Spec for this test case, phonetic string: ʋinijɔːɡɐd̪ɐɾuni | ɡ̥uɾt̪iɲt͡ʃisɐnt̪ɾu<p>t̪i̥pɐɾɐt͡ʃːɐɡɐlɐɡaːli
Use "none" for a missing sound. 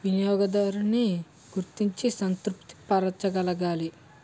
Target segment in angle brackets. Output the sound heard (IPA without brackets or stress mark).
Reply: p